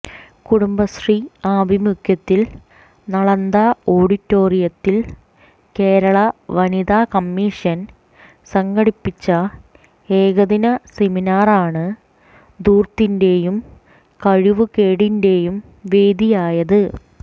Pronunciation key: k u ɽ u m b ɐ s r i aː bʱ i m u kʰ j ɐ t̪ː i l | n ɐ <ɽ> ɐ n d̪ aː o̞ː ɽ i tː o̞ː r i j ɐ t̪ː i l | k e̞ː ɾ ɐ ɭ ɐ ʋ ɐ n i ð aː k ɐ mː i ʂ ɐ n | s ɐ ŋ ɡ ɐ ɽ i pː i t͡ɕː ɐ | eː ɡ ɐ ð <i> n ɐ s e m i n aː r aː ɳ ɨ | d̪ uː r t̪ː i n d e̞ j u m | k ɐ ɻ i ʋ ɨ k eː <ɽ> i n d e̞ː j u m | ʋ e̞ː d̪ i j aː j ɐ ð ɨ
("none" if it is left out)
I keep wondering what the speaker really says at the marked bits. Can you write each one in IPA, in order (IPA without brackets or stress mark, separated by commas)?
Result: ɭ, i, ɽ